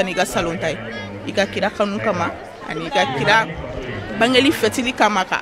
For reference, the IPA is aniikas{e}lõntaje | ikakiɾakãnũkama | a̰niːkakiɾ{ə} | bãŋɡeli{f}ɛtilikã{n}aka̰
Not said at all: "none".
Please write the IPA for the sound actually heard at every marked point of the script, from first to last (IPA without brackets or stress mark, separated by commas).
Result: a, a, f, m